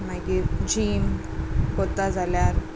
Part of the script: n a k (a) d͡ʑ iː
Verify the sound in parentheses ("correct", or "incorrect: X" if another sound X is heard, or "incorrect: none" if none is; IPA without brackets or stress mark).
incorrect: i